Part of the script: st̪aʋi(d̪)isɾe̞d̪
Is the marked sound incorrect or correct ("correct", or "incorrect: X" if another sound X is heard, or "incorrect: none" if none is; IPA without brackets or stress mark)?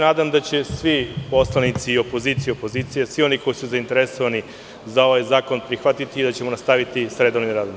incorrect: t̪